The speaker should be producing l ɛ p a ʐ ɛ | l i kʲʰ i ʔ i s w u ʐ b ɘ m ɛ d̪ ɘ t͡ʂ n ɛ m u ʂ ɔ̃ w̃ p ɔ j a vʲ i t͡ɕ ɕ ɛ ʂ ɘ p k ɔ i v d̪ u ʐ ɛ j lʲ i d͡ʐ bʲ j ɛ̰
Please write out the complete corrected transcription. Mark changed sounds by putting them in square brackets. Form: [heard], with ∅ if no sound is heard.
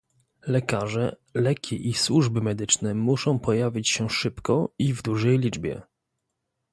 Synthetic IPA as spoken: l ɛ [k] a ʐ ɛ | l [ɛ] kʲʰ i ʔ i s w u ʐ b ɘ m ɛ d̪ ɘ t͡ʂ n ɛ m u ʂ ɔ̃ w̃ p ɔ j a vʲ i t͡ɕ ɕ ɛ ʂ ɘ p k ɔ i v d̪ u ʐ ɛ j lʲ i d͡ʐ bʲ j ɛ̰